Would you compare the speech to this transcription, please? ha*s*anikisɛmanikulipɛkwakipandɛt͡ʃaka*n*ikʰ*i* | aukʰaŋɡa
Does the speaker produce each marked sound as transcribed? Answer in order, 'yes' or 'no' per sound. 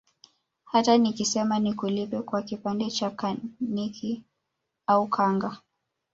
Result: no, yes, yes

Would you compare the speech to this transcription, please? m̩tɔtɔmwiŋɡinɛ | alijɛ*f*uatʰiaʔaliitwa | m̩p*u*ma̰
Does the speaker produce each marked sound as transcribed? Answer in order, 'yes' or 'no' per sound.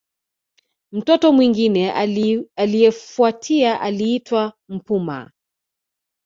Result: yes, yes

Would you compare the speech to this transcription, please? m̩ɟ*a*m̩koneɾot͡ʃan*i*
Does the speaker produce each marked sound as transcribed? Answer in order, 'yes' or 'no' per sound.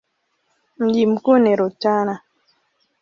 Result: no, no

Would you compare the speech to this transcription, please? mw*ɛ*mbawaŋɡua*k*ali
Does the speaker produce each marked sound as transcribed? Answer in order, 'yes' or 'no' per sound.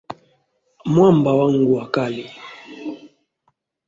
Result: no, yes

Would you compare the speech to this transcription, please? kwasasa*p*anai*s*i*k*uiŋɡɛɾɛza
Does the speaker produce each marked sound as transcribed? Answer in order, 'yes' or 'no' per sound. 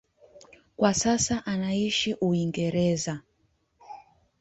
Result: no, no, no

